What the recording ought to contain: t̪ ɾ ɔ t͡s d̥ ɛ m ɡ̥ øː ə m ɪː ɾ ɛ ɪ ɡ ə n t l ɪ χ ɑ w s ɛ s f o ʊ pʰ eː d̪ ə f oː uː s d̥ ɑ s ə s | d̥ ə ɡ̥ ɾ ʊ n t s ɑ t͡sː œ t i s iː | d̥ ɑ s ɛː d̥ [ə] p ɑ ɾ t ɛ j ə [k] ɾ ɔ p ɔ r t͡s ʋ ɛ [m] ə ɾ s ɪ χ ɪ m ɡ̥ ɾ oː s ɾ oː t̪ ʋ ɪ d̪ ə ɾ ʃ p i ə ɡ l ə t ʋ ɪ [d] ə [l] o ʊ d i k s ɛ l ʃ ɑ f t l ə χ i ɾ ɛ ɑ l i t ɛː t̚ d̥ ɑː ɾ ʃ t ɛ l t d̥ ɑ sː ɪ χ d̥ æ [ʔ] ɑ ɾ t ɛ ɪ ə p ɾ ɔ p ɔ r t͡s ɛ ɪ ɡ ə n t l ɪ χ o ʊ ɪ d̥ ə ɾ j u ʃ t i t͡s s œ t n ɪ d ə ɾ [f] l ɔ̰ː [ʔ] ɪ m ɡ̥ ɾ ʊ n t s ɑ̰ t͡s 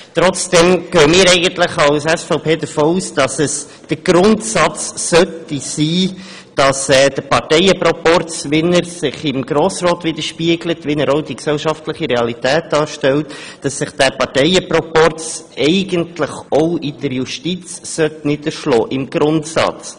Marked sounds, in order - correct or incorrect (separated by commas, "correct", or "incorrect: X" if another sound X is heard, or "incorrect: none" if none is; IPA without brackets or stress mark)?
correct, incorrect: p, incorrect: n, incorrect: n, incorrect: ɾ, incorrect: p, incorrect: ʃ, correct